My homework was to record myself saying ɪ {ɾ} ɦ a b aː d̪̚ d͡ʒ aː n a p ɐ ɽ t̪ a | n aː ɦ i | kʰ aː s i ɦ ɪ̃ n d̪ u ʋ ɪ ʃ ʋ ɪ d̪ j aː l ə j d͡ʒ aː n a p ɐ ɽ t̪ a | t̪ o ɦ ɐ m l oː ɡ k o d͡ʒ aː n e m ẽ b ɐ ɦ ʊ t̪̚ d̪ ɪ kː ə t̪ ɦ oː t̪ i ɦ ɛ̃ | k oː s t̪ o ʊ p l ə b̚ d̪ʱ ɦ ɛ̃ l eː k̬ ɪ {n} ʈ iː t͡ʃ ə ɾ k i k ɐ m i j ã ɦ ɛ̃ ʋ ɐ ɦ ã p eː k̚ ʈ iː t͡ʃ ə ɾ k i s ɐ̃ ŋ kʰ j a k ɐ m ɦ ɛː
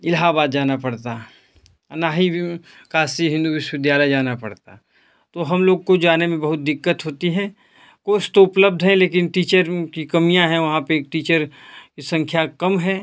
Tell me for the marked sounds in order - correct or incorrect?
incorrect: l, correct

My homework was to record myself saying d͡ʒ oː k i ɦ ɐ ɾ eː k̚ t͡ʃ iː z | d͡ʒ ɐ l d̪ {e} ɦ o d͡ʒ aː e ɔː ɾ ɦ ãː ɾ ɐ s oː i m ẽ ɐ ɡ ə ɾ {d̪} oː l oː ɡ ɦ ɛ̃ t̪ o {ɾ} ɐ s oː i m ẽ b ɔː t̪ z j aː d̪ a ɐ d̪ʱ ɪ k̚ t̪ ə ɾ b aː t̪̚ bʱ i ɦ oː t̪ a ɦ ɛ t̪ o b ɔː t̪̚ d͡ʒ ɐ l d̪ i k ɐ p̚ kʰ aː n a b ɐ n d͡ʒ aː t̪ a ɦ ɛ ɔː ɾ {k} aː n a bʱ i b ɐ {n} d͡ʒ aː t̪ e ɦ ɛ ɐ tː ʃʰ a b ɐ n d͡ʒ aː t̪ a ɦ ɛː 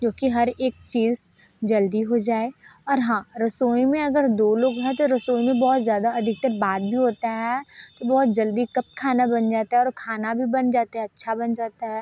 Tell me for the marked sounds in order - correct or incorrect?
incorrect: i, correct, correct, incorrect: kʰ, correct

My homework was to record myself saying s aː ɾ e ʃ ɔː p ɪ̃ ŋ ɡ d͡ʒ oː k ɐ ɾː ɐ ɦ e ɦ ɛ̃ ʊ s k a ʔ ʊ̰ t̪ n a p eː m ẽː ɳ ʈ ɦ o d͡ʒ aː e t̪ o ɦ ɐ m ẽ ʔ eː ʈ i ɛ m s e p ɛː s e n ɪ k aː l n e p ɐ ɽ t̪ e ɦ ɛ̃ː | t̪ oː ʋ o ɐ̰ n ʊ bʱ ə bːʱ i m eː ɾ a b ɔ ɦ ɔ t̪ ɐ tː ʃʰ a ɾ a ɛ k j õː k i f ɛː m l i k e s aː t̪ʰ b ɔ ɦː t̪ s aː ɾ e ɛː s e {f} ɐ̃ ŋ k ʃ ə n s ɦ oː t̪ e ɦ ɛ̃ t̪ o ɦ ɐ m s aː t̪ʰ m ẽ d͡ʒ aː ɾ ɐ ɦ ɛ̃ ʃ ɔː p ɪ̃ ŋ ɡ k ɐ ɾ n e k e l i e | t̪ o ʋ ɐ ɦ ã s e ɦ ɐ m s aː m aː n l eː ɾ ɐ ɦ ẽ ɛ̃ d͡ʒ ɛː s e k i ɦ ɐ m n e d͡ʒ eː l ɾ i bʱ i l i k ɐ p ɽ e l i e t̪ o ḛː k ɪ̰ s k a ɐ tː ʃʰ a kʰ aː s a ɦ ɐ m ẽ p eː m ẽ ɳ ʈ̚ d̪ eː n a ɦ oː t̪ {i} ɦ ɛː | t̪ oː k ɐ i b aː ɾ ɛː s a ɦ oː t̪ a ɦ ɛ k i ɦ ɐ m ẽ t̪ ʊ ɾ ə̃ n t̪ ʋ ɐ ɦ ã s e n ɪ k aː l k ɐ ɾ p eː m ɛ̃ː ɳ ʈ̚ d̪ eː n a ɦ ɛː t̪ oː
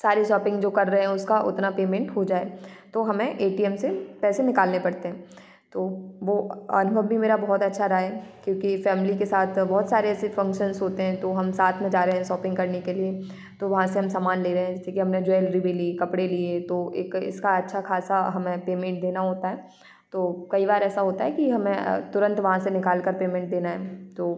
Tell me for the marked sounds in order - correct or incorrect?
correct, incorrect: a

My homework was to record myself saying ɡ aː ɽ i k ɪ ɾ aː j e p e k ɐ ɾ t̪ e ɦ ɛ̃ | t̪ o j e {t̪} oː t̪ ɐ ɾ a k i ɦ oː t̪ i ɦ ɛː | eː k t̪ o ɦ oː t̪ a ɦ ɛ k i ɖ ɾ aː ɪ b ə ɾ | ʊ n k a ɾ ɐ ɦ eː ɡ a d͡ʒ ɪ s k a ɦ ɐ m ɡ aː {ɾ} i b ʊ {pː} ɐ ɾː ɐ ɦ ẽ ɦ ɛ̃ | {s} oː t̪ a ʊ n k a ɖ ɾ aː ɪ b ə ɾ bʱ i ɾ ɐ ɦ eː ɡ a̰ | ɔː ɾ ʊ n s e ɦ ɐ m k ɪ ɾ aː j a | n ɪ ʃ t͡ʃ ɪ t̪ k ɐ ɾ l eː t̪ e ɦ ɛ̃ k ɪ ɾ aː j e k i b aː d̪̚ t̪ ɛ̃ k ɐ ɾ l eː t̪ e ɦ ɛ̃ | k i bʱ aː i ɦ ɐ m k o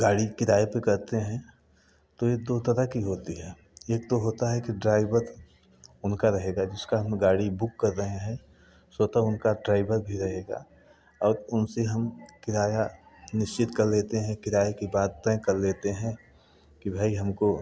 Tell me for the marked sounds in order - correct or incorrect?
incorrect: d̪, incorrect: ɽ, incorrect: kː, correct

